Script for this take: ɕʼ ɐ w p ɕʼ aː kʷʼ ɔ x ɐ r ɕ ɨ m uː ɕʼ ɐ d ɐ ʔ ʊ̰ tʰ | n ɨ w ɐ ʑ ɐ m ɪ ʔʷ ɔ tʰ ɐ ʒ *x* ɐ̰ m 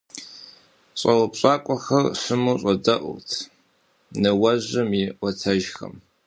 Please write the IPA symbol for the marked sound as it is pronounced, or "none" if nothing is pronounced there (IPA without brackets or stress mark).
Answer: x